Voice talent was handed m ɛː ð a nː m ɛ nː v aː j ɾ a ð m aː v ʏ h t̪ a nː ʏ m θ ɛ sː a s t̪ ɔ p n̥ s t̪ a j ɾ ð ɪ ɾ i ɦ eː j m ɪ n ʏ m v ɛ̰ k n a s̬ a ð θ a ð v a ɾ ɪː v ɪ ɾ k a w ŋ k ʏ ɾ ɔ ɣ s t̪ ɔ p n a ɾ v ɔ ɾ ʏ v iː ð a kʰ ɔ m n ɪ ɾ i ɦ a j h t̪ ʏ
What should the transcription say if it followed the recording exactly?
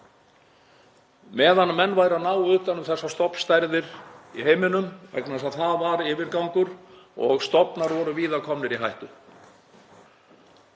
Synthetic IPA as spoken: m ɛː ð a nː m ɛ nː v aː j ɾ a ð n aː w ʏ h t̪ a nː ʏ m θ ɛ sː a s t̪ ɔ p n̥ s t̪ a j ɾ ð ɪ ɾ i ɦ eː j m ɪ n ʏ m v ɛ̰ k n a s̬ a ð θ a ð v a ɾ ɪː v ɪ ɾ k a w ŋ k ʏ ɾ ɔ ɣ s t̪ ɔ p n a ɾ v ɔ ɾ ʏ v iː ð a kʰ ɔ m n ɪ ɾ i ɦ a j h t̪ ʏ